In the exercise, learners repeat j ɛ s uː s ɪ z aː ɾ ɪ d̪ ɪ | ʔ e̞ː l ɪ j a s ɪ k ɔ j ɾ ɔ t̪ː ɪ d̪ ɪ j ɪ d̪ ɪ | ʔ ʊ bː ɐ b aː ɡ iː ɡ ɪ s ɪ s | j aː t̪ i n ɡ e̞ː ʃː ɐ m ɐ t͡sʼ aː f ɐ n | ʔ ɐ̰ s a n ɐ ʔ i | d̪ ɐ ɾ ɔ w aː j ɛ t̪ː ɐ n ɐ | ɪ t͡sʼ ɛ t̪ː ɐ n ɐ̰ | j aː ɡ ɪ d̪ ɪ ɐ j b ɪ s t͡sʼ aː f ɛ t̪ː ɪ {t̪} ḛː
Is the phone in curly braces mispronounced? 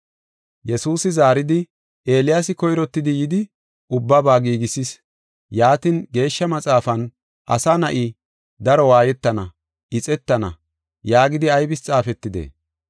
yes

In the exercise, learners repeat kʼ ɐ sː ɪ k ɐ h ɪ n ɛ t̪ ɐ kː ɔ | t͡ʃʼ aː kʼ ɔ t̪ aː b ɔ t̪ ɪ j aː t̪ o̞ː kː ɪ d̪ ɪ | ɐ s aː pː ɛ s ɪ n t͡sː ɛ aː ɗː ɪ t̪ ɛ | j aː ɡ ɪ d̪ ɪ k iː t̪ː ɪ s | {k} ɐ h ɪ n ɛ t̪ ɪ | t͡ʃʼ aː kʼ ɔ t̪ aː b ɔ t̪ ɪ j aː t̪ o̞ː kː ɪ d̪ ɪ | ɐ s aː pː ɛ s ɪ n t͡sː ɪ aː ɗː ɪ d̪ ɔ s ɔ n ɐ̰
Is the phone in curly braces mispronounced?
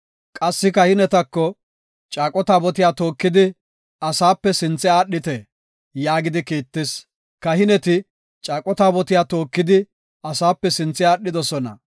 no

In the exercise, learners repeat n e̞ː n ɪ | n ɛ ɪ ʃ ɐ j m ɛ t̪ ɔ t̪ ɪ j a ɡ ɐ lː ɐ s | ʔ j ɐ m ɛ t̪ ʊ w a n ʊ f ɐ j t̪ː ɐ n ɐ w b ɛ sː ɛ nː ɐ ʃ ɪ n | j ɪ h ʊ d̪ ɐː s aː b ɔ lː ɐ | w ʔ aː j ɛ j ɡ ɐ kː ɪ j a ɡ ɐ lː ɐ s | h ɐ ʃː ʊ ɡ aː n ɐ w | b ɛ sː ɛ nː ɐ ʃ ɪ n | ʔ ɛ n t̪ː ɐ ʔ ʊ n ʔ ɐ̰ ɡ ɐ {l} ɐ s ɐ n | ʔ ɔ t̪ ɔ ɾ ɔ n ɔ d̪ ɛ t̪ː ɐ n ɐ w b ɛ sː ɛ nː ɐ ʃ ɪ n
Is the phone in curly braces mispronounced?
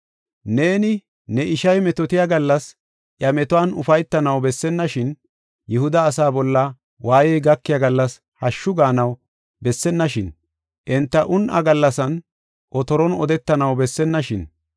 yes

